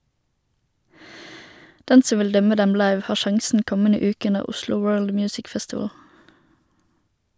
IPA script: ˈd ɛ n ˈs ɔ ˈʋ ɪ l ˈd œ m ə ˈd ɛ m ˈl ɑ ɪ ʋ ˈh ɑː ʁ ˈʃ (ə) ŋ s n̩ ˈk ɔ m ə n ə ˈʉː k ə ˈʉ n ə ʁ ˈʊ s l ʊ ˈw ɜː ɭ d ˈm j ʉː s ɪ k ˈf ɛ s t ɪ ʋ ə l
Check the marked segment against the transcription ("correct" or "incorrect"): incorrect